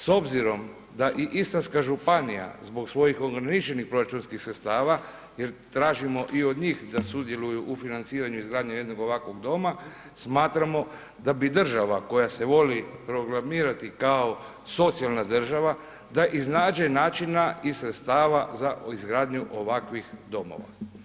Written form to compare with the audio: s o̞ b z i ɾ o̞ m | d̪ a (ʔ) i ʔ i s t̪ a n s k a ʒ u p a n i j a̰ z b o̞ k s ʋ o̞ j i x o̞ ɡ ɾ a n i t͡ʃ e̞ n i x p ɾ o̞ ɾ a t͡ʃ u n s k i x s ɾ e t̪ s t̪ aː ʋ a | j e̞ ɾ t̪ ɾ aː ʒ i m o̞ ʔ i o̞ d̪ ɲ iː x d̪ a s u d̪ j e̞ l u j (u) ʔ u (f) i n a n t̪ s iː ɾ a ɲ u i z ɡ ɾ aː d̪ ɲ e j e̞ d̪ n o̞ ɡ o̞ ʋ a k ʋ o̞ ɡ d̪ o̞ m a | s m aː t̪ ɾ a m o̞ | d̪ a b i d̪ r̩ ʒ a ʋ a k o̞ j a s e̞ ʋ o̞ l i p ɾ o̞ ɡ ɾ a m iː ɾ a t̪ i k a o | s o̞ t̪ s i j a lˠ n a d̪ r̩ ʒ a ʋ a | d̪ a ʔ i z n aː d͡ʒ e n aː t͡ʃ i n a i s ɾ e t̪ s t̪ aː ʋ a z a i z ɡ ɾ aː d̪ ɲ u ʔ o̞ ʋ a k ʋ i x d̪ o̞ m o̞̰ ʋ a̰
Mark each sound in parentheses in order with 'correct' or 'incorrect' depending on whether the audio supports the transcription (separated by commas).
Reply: correct, correct, correct